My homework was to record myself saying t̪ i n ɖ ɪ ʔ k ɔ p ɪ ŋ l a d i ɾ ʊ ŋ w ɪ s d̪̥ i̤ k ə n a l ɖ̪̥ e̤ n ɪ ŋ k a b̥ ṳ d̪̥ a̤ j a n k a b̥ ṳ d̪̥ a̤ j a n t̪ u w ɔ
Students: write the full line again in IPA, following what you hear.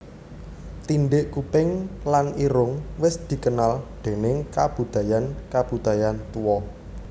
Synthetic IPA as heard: t̪ i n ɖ ɪ ʔ k u p ɪ ŋ l a n i ɾ ʊ ŋ w ɪ s d̪̥ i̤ k ə n a l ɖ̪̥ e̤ n ɪ ŋ k a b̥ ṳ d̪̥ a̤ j a n k a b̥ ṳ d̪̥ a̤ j a n t̪ u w ɔ